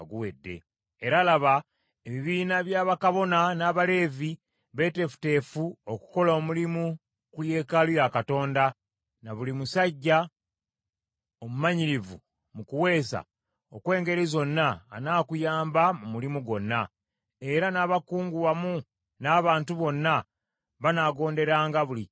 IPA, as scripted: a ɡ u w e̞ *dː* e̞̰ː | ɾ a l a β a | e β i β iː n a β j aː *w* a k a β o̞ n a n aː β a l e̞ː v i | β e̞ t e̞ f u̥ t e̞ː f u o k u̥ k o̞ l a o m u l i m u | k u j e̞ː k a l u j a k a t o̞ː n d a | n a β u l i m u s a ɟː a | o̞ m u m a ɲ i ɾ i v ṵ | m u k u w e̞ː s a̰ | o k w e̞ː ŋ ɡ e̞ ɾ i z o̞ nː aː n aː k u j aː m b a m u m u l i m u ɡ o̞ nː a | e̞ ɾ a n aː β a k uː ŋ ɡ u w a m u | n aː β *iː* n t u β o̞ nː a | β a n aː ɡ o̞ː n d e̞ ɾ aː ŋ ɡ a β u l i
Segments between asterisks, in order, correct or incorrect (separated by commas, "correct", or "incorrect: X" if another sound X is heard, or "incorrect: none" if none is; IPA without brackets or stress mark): correct, incorrect: β, incorrect: aː